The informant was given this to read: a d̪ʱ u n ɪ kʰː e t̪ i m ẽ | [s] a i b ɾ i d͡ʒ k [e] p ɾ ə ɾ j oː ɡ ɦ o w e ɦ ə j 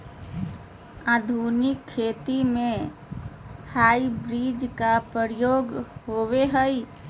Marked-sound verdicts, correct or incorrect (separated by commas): incorrect, incorrect